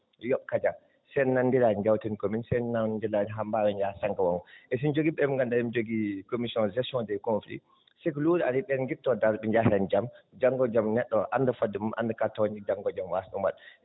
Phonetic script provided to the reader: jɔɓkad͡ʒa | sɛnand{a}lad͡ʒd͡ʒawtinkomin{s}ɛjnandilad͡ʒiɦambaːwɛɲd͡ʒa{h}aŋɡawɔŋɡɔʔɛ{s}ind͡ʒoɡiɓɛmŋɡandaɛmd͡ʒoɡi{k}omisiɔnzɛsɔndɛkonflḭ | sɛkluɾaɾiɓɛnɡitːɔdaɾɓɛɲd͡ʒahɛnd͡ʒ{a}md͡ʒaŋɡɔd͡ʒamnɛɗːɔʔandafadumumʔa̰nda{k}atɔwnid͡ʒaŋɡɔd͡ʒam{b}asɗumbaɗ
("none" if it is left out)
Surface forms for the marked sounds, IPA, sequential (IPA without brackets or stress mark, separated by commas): i, s, s, s, k, a, k, w